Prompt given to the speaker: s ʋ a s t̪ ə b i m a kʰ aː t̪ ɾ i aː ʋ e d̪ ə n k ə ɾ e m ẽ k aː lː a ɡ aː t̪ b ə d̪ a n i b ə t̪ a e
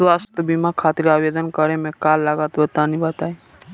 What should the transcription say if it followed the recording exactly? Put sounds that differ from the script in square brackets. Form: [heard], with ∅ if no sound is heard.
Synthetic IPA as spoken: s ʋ a s t̪ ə b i m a kʰ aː t̪ ɾ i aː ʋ e d̪ ə n k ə ɾ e m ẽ k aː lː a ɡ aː t̪ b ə [t̪] a n i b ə t̪ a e